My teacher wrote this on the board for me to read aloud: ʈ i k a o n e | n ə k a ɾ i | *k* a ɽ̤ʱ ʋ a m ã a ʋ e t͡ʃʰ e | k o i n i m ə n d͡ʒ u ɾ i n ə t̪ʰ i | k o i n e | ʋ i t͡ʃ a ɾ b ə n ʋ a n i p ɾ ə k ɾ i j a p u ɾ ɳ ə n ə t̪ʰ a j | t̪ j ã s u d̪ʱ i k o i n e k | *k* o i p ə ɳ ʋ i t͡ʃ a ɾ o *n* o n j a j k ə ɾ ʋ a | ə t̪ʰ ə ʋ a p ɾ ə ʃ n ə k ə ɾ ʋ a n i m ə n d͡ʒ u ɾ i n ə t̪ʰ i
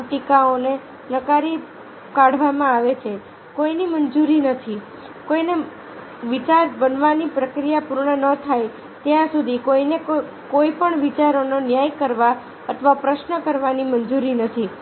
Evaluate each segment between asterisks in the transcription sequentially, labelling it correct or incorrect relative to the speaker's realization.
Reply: correct, correct, correct

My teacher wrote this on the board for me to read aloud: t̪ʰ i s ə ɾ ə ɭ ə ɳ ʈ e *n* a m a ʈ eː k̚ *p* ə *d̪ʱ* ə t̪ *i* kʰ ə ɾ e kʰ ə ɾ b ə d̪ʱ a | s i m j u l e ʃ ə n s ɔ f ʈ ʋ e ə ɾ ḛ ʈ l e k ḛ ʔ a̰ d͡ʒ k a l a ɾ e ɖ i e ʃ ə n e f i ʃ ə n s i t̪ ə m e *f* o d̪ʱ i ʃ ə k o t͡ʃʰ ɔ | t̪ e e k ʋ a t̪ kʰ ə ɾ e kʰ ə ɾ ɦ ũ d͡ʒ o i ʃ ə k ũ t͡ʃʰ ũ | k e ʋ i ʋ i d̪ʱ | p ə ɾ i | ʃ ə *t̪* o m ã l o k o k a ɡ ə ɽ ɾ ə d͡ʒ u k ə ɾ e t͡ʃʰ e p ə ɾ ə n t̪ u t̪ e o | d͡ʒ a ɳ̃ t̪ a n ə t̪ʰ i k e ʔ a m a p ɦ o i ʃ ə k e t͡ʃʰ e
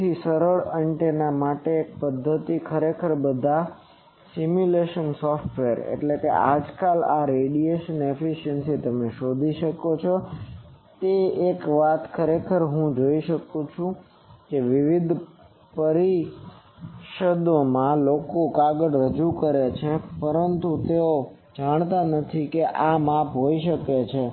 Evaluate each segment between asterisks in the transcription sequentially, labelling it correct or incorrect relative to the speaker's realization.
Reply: correct, correct, incorrect, correct, incorrect, incorrect

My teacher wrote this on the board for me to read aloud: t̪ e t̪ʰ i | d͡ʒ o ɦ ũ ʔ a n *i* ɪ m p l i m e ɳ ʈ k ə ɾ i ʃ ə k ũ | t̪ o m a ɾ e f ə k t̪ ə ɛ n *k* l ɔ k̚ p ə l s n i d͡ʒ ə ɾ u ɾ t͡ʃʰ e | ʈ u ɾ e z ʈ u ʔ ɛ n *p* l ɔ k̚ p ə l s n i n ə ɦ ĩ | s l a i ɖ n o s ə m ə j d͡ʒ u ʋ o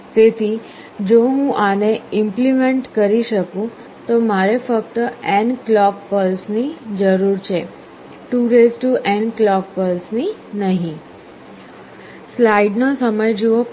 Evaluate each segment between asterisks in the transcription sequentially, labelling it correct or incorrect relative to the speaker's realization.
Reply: incorrect, correct, incorrect

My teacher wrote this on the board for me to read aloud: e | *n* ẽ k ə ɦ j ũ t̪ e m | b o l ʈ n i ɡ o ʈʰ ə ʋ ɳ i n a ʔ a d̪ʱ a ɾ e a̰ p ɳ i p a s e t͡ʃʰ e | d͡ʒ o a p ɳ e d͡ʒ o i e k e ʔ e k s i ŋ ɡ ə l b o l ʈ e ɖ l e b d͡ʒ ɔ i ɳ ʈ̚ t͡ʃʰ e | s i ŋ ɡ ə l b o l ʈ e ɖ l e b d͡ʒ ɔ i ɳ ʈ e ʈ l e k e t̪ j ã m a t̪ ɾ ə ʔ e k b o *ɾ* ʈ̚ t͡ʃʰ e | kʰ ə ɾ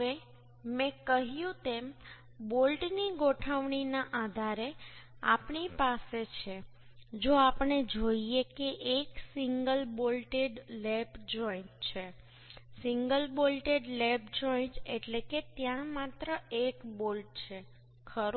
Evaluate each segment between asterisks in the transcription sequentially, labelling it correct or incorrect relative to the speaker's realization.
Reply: incorrect, incorrect

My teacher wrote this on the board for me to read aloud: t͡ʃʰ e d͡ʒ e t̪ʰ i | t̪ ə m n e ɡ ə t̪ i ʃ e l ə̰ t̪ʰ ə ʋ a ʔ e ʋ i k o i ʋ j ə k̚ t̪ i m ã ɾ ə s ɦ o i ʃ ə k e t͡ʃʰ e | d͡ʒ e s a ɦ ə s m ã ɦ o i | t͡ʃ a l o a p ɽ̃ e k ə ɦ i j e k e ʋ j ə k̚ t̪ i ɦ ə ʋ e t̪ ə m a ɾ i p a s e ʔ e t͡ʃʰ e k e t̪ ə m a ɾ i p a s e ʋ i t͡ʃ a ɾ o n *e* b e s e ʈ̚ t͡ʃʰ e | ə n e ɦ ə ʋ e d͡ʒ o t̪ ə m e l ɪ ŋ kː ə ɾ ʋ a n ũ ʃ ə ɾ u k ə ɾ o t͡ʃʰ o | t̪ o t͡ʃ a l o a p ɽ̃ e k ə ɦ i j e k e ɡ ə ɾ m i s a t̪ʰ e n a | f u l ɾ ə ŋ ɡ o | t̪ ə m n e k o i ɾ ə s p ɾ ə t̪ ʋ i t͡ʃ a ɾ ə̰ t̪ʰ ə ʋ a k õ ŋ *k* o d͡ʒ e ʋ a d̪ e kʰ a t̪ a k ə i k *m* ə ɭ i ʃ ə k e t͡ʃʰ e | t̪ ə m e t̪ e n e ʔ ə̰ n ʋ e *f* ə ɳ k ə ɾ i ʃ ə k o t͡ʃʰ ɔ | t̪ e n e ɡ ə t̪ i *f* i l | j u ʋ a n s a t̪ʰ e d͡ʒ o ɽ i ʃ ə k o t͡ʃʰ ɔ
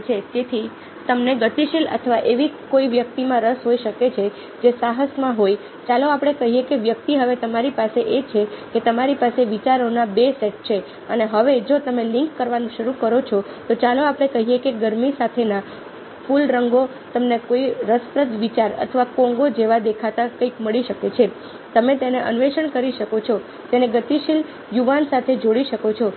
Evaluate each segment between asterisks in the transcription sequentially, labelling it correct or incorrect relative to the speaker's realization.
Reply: incorrect, incorrect, correct, incorrect, incorrect

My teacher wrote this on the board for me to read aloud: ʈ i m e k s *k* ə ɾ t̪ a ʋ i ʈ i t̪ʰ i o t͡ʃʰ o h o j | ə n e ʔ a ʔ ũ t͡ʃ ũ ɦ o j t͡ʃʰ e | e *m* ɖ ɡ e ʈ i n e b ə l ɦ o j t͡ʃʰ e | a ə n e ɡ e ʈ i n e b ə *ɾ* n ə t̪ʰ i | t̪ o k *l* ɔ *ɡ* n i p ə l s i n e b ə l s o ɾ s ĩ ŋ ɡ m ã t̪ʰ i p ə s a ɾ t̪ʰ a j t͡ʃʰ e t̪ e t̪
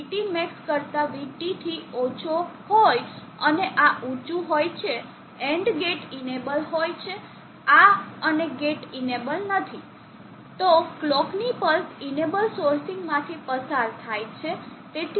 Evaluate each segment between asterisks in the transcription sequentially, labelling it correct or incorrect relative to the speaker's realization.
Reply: correct, incorrect, incorrect, correct, incorrect

